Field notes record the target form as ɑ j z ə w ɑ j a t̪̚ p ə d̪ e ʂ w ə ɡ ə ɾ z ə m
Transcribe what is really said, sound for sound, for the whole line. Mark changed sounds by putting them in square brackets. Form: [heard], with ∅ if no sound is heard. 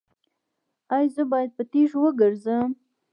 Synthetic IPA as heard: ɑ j z ə [b] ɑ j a [d̪̚] p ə [t̪] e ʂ w ə ɡ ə ɾ z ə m